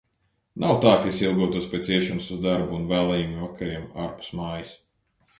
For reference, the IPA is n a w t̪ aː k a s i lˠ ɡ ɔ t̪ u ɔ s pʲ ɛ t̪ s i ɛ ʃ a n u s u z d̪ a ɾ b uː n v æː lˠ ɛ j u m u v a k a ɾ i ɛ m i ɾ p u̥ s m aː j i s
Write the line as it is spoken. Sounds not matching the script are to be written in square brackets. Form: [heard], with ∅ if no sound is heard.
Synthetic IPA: n a w t̪ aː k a s i lˠ ɡ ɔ t̪ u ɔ s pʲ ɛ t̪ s i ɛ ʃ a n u s u z d̪ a ɾ b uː n v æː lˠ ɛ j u m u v a k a ɾ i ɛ m [a] ɾ p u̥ s m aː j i s